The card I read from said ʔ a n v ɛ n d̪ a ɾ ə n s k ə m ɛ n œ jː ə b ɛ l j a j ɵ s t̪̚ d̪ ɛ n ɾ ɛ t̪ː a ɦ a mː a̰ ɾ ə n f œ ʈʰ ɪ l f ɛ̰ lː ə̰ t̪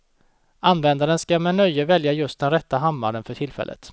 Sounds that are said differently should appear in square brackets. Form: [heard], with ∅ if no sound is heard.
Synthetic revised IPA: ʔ a n v ɛ n d̪ a ɾ ə n s k [a] m ɛ n œ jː ə [v] ɛ l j a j ɵ s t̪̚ d̪ ɛ n ɾ ɛ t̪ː a ɦ a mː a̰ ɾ ə n f œ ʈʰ ɪ l f ɛ̰ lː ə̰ t̪